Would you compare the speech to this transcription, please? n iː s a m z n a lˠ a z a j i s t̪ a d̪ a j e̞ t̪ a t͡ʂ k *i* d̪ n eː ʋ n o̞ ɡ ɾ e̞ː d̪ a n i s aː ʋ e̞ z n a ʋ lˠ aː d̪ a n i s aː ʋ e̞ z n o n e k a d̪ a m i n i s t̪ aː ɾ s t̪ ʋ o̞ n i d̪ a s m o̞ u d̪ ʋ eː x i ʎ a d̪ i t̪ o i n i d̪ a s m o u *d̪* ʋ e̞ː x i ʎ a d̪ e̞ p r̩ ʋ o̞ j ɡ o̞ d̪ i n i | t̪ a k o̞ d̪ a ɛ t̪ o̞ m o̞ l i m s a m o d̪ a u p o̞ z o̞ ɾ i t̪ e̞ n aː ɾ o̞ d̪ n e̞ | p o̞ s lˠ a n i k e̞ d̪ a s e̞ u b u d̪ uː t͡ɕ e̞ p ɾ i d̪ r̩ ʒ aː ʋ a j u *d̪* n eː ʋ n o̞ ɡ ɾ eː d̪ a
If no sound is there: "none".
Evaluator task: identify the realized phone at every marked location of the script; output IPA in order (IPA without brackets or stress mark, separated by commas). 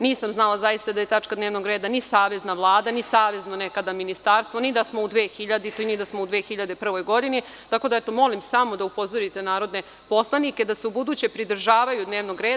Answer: a, d̪, d̪